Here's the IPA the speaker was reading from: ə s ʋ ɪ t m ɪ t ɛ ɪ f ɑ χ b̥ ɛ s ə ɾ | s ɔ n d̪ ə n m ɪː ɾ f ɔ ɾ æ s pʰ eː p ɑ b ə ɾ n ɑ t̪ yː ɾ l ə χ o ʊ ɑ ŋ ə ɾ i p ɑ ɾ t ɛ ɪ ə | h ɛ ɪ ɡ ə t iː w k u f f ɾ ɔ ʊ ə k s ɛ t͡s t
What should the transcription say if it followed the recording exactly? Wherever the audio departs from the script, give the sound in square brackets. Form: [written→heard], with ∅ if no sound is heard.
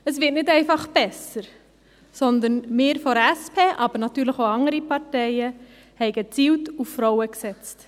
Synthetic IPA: ə s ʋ ɪ t [m→n] ɪ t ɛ ɪ f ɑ χ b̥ ɛ s ə ɾ | s ɔ n d̪ ə n m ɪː ɾ f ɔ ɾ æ s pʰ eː [p→ʔ] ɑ b ə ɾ n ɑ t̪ yː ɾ l ə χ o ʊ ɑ ŋ ə ɾ i p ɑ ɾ t ɛ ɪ ə | h ɛ ɪ ɡ ə [t→t͡s] iː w [k→t] u f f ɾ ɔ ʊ ə k s ɛ t͡s t